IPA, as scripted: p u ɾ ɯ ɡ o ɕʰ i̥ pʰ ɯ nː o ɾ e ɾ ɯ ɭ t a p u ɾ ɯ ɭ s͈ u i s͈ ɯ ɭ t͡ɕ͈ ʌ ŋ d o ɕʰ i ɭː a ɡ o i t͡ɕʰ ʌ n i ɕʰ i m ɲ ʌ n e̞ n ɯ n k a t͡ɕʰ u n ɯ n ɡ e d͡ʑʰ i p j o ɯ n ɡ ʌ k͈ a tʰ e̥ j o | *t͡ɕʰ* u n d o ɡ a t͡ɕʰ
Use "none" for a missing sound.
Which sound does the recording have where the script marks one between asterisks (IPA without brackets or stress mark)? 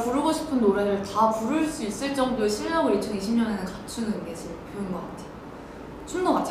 t͡ɕʰ